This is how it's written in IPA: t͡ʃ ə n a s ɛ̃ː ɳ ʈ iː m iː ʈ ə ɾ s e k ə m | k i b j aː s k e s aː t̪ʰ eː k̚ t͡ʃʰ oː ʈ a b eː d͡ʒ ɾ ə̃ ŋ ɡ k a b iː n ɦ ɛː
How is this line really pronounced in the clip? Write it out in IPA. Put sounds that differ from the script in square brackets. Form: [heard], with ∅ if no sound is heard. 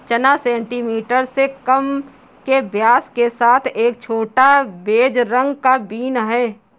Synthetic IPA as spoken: t͡ʃ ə n a s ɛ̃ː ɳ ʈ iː m iː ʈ ə ɾ s e k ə m | k [e] b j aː s k e s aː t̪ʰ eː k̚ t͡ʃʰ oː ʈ a b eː d͡ʒ ɾ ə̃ ŋ ɡ k a b iː n ɦ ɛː